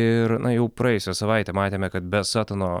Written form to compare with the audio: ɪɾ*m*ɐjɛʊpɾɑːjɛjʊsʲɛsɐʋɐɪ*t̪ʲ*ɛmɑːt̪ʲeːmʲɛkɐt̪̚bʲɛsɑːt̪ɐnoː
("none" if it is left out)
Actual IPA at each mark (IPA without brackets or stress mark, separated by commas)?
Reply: n, t̪ʲ